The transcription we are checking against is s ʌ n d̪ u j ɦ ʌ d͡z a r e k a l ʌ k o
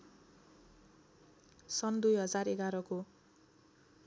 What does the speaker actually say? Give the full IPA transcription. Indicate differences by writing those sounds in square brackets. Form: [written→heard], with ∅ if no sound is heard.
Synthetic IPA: s ʌ n d̪ u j ɦ ʌ d͡z a r e [k→ɡ] a [l→ɾ] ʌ k o